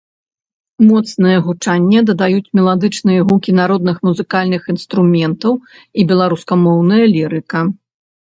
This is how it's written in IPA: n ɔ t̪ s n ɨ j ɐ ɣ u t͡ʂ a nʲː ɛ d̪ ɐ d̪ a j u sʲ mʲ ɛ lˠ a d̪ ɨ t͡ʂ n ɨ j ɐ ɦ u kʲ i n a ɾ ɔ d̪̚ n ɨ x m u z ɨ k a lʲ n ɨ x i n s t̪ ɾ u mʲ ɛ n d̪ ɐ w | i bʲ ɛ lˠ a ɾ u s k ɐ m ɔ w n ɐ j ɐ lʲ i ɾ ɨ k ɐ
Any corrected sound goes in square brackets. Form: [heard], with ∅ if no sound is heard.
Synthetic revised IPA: [m] ɔ t̪ s n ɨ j ɐ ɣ u t͡ʂ a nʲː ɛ d̪ ɐ d̪ a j u [t͡sʲ] mʲ ɛ lˠ a d̪ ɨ t͡ʂ n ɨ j ɐ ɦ u kʲ i n a ɾ ɔ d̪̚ n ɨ x m u z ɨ k a lʲ n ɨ x i n s t̪ ɾ u mʲ ɛ n [t̪] ɐ w | i bʲ ɛ lˠ a ɾ u s k ɐ m ɔ w n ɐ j ɐ lʲ i ɾ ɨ k ɐ